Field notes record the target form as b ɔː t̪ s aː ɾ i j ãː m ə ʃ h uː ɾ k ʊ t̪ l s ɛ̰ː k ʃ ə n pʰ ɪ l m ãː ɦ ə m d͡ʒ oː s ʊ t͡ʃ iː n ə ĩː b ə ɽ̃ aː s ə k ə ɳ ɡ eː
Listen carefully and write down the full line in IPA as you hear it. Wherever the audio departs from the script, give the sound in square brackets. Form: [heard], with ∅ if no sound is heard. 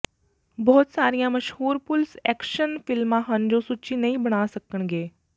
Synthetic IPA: b ɔː t̪ s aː ɾ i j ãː m ə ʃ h uː ɾ [p] ʊ [∅] l s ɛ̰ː k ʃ ə n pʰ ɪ l m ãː ɦ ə [n] d͡ʒ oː s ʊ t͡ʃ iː n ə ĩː b ə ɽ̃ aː s ə k ə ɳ ɡ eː